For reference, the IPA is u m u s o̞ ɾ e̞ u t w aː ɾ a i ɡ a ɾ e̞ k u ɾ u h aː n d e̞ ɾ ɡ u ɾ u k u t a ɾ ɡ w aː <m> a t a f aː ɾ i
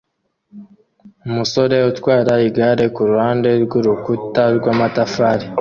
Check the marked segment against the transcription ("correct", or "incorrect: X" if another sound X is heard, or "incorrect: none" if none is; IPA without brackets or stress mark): correct